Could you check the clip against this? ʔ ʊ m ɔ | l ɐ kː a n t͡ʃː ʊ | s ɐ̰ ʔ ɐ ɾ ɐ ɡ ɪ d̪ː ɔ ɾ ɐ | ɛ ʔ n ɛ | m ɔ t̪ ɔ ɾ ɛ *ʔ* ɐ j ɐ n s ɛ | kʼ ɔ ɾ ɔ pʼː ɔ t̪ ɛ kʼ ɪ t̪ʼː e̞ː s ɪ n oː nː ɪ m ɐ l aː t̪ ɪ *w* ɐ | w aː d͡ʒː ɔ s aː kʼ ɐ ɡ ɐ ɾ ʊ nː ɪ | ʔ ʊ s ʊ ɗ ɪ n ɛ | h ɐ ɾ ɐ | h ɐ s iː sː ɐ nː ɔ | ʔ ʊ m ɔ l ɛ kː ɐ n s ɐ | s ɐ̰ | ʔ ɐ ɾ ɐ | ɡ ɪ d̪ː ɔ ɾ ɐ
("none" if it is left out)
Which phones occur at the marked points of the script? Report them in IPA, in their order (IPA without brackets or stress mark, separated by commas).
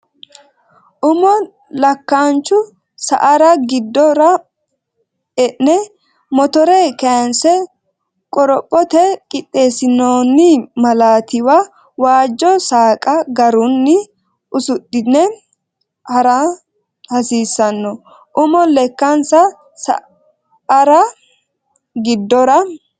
k, w